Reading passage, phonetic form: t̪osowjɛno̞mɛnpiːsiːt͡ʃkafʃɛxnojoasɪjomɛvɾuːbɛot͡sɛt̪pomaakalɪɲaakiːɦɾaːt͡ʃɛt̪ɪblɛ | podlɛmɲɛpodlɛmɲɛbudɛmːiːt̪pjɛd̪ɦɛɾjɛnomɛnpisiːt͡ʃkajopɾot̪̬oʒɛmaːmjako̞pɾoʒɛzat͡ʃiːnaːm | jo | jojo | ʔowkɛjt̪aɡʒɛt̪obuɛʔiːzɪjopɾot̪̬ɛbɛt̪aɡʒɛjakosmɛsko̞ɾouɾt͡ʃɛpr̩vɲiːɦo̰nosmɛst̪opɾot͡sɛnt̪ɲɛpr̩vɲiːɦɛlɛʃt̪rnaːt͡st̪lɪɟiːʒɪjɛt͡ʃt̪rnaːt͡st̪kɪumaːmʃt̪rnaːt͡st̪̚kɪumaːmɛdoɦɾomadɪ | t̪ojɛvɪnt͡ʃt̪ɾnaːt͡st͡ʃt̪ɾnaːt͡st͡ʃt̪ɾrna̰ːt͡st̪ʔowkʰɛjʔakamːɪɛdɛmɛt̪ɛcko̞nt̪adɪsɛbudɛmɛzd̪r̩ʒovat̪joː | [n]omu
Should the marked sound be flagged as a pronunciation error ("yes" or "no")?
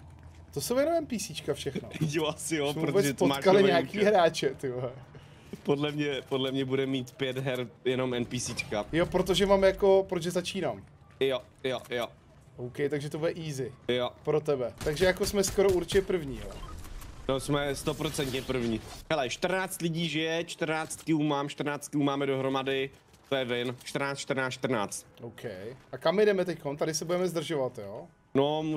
no